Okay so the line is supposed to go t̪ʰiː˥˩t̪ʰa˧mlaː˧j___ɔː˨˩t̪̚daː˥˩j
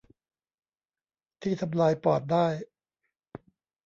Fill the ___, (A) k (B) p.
B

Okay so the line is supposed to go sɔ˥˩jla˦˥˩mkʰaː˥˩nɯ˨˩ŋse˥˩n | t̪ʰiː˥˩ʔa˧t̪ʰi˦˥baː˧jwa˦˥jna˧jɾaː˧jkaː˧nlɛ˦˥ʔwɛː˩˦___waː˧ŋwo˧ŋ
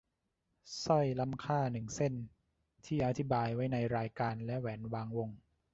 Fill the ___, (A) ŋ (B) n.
B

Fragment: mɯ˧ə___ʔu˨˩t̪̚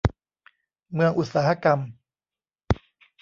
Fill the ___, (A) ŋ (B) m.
A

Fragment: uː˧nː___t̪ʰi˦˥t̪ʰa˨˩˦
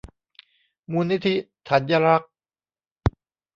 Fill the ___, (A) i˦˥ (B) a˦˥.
A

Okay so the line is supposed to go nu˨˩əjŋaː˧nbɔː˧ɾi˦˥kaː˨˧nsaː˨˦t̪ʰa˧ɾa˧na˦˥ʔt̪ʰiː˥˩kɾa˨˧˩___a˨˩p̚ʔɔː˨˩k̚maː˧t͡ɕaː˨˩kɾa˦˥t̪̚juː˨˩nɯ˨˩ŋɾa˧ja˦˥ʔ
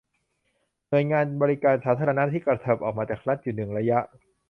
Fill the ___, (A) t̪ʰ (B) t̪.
A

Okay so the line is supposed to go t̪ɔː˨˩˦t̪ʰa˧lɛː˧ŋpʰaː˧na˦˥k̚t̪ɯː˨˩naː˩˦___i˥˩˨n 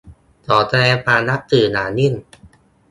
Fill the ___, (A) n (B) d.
A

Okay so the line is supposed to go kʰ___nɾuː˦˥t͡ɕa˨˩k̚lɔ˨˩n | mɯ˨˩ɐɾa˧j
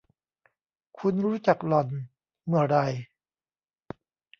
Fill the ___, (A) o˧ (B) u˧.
B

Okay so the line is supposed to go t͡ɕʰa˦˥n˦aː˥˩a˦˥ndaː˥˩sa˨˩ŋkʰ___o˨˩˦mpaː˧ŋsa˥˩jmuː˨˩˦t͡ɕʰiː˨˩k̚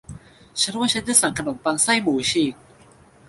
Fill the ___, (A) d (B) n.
B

